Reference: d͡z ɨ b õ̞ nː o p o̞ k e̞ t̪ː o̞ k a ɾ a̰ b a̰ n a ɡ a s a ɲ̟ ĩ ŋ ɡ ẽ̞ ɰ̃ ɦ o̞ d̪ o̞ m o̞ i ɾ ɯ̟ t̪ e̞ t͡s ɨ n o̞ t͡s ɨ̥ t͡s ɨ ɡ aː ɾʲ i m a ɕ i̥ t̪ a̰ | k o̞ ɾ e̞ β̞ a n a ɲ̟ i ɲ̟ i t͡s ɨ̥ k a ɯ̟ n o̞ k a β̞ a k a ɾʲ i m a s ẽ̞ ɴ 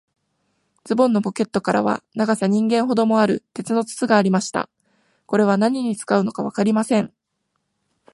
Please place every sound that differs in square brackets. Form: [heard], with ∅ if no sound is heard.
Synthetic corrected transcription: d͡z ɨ b õ̞ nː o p o̞ k e̞ t̪ː o̞ k a ɾ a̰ [β] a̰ n a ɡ a s a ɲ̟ ĩ ŋ ɡ ẽ̞ ɰ̃ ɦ o̞ d̪ o̞ m o̞ [a] ɾ ɯ̟ t̪ e̞ t͡s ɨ n o̞ t͡s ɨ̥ t͡s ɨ ɡ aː ɾʲ i m a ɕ i̥ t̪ a̰ | k o̞ ɾ e̞ β̞ a n a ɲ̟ i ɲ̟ i t͡s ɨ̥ k a ɯ̟ n o̞ k a β̞ a k a ɾʲ i m a s ẽ̞ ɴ